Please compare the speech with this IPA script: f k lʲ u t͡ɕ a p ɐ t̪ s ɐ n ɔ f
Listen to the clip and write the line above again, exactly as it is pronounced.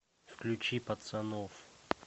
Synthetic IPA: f k lʲ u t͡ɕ i p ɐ t̪ s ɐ n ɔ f